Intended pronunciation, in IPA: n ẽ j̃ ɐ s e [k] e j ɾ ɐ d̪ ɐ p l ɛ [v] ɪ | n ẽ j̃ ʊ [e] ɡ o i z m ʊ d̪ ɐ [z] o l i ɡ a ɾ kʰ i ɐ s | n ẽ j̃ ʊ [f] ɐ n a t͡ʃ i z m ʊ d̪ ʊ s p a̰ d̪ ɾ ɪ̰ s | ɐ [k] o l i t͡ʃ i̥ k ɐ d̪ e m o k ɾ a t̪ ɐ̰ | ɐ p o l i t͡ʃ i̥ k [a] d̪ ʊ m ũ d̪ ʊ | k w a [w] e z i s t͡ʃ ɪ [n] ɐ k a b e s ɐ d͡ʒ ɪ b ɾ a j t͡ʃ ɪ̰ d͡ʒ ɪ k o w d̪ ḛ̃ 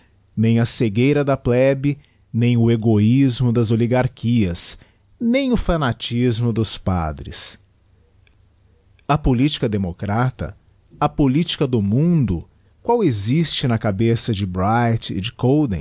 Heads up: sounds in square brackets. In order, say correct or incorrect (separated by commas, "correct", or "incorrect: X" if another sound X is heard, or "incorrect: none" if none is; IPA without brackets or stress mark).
incorrect: ɡ, incorrect: b, correct, correct, correct, incorrect: p, incorrect: ɐ, correct, correct